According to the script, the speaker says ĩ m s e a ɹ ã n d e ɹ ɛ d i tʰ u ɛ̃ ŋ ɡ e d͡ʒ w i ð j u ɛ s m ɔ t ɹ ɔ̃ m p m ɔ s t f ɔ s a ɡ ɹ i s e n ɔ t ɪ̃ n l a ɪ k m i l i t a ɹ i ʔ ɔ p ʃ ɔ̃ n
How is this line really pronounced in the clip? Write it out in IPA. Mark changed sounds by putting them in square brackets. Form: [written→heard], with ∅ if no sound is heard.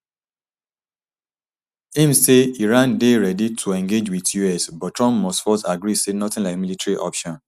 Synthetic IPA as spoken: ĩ m s e [a→i] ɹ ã n d e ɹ ɛ d i tʰ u ɛ̃ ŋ ɡ e d͡ʒ w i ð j u ɛ s [m→b] ɔ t ɹ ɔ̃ m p m ɔ s t f ɔ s a ɡ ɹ i s e n ɔ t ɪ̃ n l a ɪ k m i l i t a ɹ i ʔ ɔ p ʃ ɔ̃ n